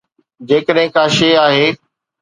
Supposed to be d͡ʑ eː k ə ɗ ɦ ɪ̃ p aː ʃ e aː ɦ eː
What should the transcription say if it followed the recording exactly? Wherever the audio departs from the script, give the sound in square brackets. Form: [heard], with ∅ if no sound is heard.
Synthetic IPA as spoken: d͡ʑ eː k ə ɗ ɦ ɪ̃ [k] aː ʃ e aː ɦ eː